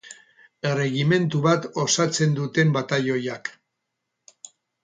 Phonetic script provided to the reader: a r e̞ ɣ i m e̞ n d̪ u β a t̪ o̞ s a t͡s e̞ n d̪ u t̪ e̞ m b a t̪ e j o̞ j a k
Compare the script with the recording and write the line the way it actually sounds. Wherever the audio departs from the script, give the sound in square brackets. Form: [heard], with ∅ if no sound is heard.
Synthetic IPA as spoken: [e] r e̞ ɣ i m e̞ n [t̪] u β a t̪ o̞ s a t͡s e̞ n d̪ u t̪ e̞ m b a t̪ [a] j o̞ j a k